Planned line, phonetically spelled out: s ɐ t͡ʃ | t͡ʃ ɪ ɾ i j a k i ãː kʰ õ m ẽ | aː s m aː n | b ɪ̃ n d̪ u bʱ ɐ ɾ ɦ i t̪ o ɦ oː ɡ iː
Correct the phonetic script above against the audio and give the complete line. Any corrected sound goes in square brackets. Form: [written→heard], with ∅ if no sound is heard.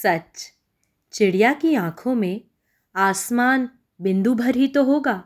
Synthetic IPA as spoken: s ɐ t͡ʃ | t͡ʃ ɪ [ɾ→ɽ] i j a k i ãː kʰ õ m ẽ | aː s m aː n | b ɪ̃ n d̪ u bʱ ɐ ɾ ɦ i t̪ o ɦ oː ɡ [iː→aː]